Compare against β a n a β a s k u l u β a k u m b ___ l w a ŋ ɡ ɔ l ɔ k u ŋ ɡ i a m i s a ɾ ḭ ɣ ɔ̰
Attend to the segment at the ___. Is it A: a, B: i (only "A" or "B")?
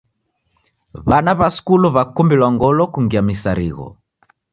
B